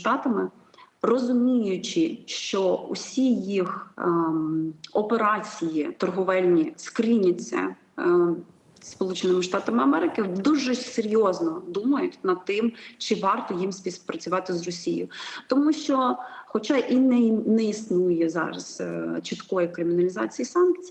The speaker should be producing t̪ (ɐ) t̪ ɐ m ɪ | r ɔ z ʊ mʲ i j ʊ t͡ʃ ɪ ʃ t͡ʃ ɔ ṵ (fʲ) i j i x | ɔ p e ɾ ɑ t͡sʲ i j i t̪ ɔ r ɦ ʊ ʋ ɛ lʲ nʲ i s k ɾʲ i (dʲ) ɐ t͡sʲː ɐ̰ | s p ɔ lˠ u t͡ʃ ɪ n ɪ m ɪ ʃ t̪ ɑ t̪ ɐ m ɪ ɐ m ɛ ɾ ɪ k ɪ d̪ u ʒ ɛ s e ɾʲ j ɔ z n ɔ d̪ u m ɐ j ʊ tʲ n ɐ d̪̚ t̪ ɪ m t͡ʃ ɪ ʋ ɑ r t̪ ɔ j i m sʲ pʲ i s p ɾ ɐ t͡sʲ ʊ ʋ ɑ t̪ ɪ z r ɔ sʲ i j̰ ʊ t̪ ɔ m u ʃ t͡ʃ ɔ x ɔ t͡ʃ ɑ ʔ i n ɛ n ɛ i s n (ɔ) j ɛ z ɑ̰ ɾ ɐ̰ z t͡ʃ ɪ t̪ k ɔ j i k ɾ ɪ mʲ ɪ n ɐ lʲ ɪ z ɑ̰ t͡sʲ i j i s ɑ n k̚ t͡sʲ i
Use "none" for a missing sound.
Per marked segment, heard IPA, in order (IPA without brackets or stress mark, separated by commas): ɑ, sʲ, nʲ, u